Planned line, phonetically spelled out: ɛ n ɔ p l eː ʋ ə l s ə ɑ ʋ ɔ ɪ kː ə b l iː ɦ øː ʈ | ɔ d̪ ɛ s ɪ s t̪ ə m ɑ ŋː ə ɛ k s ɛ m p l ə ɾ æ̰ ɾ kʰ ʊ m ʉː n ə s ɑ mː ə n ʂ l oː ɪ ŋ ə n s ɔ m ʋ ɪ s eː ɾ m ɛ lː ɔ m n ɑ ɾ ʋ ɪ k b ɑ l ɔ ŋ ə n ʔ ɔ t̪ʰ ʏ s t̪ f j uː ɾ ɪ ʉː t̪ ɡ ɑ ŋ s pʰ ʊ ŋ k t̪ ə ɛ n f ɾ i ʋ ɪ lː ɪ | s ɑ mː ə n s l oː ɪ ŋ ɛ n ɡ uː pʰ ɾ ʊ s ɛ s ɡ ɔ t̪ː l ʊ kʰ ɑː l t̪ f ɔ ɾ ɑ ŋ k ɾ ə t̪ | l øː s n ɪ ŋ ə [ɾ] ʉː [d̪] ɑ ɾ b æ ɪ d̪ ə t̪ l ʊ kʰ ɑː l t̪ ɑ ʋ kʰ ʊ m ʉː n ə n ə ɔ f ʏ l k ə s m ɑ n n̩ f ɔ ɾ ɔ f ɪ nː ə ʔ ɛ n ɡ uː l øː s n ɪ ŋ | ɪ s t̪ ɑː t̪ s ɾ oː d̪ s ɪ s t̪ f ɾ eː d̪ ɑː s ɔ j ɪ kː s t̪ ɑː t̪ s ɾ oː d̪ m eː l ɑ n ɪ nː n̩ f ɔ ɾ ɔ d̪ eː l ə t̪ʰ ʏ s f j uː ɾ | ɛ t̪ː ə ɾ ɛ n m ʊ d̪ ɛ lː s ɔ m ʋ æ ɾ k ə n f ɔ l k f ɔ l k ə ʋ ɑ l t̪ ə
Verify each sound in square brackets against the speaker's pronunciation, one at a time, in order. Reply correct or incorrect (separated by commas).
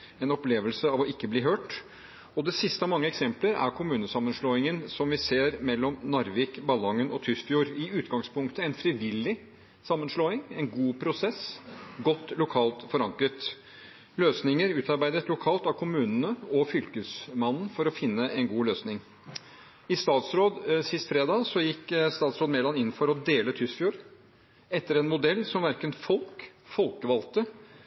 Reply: correct, incorrect